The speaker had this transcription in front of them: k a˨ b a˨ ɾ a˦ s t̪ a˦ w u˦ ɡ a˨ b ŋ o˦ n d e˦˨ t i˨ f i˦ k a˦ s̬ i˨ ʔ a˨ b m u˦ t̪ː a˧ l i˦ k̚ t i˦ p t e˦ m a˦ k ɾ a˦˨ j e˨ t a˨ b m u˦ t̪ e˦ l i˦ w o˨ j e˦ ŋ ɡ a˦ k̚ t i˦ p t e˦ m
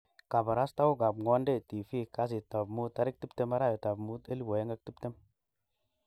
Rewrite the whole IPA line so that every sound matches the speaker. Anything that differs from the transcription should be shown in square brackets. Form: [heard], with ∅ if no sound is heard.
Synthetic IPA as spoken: k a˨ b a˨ ɾ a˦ s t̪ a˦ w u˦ ɡ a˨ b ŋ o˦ n d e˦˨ t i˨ f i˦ k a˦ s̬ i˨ [t] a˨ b m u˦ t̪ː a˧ [ɾ] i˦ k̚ t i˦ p t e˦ m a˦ [∅] ɾ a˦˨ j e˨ t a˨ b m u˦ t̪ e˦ l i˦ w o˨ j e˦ ŋ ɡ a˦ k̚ t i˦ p t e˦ m